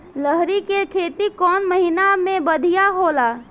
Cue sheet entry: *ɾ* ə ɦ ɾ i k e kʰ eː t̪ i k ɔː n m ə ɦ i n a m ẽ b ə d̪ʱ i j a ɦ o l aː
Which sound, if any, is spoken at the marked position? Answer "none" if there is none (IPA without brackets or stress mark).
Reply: l